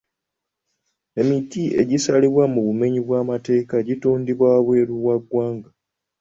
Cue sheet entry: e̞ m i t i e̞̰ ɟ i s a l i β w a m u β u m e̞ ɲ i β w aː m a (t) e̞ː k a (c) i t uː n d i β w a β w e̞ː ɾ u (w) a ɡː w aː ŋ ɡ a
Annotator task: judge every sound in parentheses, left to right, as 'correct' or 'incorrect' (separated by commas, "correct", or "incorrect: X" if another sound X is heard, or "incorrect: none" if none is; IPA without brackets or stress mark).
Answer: correct, incorrect: ɟ, correct